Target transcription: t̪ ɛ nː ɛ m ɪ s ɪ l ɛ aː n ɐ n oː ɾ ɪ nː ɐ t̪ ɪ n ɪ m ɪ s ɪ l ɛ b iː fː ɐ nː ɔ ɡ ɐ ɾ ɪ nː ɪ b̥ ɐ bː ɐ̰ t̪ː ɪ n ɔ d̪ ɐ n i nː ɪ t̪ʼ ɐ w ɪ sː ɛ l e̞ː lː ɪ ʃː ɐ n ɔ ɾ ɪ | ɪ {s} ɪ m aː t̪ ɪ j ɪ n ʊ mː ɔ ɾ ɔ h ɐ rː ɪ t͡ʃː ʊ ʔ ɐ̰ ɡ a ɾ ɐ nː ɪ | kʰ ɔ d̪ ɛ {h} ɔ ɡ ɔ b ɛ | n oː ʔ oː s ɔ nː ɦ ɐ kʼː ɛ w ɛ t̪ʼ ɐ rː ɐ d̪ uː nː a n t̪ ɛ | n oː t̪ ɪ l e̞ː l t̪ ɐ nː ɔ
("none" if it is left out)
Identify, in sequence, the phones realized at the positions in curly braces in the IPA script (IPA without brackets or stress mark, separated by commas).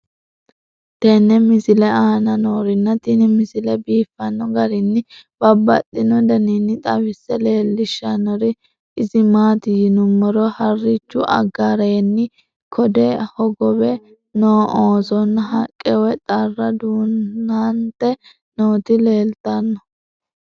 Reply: z, h